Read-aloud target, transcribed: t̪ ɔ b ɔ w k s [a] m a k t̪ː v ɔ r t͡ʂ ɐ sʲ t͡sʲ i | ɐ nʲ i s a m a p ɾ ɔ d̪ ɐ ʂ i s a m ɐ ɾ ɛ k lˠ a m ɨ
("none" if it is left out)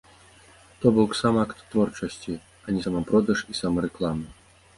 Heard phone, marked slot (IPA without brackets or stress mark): a